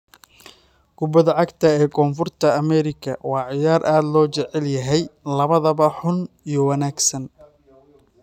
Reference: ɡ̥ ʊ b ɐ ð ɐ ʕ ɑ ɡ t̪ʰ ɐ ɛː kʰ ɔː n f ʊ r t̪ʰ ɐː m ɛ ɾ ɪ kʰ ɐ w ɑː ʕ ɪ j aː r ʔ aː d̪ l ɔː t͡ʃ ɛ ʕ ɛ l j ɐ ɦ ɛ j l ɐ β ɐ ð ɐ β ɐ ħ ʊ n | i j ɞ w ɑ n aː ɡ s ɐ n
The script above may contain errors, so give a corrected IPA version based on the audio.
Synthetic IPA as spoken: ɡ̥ ʊ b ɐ ð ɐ ʕ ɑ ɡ t̪ʰ ɐ ɛː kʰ ɔː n f ʊ r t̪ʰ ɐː m ɛ ɾ ɪ kʰ ɐ w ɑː ʕ ɪ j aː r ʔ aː d̪ l ɔː t͡ʃ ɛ ʕ ɛ l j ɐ ɦ ɛ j l ɐ β ɐ ð ɐ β ɐ ħ ʊ n | i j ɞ w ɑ n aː ɡ s ɐ n